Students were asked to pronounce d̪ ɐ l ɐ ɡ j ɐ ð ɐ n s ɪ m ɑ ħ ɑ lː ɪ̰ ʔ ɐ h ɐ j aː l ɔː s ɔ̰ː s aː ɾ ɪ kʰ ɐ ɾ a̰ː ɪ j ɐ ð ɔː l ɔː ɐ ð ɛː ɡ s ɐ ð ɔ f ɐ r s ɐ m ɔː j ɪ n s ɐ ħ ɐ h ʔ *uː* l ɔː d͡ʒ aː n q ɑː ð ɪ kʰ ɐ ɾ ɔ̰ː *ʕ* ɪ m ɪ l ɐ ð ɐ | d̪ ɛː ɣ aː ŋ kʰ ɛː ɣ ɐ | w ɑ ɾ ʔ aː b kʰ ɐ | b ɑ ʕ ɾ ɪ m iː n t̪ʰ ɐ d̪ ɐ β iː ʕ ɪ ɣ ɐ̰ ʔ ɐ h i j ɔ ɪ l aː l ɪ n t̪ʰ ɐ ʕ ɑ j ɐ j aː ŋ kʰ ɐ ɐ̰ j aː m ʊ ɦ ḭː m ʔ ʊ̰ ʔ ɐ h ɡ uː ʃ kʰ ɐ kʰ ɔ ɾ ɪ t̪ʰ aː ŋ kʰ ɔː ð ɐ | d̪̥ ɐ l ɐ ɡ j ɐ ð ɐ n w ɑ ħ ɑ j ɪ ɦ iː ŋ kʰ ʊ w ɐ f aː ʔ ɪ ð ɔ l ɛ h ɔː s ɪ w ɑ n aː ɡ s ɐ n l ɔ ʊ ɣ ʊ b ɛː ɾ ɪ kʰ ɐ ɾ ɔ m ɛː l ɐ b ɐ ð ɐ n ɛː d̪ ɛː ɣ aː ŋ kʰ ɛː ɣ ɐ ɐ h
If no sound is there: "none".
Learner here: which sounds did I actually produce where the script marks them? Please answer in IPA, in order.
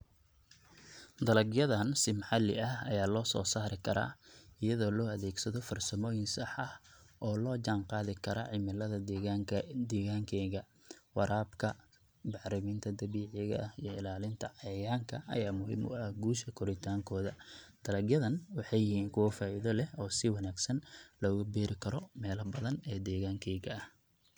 ɔː, ʕ

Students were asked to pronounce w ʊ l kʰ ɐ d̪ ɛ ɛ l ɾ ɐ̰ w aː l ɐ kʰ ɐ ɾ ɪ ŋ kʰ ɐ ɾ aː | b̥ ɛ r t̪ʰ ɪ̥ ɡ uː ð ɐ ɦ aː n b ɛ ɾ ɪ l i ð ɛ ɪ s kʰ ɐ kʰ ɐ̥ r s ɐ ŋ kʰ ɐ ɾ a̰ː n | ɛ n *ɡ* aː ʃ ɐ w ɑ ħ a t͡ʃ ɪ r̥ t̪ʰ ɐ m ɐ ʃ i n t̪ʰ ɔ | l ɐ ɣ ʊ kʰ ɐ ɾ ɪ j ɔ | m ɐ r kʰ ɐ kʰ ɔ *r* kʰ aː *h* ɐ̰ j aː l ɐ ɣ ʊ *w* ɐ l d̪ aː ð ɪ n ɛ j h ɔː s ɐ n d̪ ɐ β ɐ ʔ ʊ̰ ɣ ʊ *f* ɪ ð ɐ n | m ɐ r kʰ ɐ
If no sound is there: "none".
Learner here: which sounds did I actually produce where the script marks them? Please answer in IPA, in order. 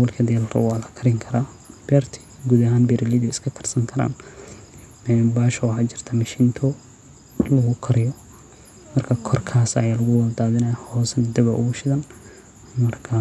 b, r, s, w, ʃ

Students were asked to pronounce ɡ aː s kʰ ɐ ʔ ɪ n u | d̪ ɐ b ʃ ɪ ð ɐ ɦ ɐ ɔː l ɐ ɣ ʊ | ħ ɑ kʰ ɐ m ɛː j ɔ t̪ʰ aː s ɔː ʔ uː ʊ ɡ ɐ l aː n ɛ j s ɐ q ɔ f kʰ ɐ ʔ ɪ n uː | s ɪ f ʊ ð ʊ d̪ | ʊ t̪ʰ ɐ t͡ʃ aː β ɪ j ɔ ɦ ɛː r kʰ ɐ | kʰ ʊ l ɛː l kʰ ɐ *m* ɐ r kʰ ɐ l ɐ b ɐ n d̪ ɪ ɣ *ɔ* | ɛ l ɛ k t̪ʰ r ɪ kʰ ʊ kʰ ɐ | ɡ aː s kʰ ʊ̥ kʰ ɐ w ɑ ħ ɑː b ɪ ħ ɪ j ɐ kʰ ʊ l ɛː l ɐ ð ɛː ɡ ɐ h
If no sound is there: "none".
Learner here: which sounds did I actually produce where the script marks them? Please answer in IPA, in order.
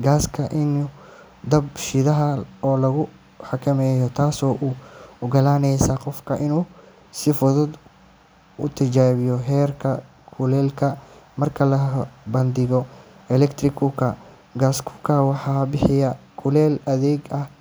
m, ɔ

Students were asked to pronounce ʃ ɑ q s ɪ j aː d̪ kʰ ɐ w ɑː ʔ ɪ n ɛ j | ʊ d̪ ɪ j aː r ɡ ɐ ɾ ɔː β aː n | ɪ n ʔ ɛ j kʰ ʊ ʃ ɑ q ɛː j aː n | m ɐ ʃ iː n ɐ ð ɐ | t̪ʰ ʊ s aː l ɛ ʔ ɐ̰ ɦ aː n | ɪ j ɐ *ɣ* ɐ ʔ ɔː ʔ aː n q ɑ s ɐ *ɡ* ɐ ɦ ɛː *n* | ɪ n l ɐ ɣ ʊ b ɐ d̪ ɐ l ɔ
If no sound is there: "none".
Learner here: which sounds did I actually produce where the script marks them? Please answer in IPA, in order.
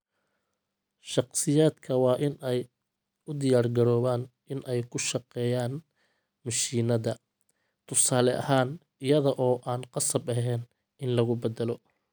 ð, b, n

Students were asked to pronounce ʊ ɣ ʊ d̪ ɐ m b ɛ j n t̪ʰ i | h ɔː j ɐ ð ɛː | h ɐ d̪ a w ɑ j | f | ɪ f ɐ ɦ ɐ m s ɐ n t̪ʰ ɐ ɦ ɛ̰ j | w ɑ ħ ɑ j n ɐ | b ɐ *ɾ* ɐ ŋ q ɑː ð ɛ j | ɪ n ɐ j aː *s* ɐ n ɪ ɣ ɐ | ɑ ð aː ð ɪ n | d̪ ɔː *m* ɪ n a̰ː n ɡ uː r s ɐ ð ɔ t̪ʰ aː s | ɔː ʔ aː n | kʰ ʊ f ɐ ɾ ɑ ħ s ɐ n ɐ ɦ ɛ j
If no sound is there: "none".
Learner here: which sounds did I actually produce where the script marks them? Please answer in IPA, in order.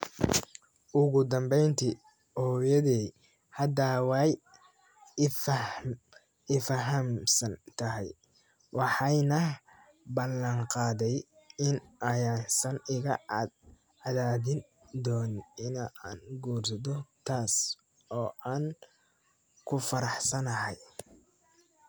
l, s, n

